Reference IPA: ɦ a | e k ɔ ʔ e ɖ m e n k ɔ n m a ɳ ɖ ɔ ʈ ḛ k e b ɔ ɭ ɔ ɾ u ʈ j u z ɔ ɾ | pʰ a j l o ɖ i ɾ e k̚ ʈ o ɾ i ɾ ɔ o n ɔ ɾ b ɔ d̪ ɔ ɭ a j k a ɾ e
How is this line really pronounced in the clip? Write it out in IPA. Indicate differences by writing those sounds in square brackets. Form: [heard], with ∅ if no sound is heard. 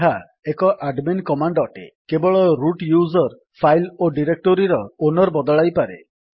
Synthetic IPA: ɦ a | e k ɔ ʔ [a] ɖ m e n k ɔ [∅] m a ɳ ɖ ɔ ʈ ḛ k e b ɔ ɭ ɔ ɾ u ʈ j u z ɔ ɾ | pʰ a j l o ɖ i ɾ e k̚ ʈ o ɾ i ɾ ɔ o n ɔ ɾ b ɔ d̪ ɔ ɭ a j [p] a ɾ e